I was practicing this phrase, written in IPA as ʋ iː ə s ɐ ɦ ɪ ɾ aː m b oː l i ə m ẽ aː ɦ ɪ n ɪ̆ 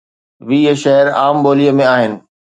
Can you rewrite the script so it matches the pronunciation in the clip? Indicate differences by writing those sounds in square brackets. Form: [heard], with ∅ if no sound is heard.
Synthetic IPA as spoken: ʋ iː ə [ʃ] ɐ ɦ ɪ ɾ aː m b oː l i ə m ẽ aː ɦ ɪ n ɪ̆